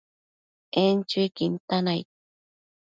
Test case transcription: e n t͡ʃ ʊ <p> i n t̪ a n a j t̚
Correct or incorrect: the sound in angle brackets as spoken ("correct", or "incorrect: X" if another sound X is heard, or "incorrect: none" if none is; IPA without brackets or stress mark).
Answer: incorrect: k